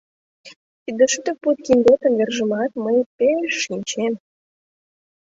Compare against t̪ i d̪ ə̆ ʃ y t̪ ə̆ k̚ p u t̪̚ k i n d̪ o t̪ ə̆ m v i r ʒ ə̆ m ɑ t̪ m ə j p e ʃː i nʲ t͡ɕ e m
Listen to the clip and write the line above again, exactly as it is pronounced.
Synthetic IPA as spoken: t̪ i d̪ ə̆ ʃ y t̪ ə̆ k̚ p u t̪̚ k i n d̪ o t̪ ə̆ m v e r ʒ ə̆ m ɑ t̪ m ə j p e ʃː i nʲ t͡ɕ e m